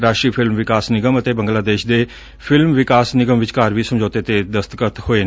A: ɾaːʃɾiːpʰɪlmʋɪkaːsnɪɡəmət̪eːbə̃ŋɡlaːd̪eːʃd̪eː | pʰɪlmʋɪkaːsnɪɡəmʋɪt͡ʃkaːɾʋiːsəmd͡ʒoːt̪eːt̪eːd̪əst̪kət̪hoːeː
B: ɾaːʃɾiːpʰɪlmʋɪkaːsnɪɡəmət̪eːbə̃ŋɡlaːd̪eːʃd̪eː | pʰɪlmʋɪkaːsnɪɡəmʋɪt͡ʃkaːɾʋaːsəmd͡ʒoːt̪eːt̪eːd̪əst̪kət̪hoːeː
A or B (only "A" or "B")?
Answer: A